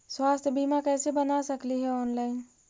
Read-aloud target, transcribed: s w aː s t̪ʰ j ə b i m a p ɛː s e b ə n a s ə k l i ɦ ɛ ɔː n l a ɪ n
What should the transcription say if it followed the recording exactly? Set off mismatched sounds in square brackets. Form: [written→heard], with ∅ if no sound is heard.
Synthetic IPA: s w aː s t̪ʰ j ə b i m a [p→k] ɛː s e b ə n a s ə k l i ɦ ɛ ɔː n l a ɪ n